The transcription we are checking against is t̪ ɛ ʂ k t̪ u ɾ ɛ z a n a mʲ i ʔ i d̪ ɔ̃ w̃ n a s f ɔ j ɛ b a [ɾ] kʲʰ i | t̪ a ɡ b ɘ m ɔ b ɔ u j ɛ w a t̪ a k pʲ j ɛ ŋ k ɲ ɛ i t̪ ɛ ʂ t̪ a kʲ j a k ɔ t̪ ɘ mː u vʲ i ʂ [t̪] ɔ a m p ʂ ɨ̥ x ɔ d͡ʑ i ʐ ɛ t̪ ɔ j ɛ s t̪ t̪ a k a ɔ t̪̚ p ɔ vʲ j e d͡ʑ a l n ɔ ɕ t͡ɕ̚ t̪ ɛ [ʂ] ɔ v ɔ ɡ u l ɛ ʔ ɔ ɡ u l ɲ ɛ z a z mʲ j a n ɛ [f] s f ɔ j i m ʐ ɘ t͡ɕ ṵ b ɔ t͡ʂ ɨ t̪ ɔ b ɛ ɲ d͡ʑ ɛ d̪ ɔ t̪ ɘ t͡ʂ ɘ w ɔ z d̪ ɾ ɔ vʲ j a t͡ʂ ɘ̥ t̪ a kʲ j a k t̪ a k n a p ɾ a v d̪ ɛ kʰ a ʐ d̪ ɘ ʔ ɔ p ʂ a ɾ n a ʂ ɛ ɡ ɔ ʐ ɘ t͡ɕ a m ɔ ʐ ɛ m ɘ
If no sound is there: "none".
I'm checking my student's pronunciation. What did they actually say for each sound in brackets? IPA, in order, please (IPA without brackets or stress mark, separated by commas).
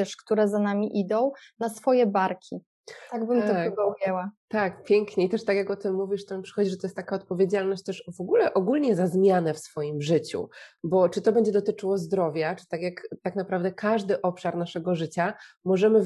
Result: ɾ, t̪, ʂ, f